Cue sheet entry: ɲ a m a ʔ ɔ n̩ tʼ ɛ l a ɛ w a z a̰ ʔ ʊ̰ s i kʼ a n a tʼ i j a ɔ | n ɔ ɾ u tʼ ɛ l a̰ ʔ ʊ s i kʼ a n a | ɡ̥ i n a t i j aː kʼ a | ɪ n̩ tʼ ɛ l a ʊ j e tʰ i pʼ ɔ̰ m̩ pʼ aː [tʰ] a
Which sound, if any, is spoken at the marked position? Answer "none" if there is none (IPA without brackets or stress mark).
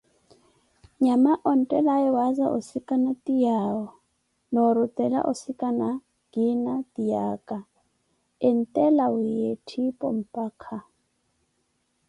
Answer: kʰ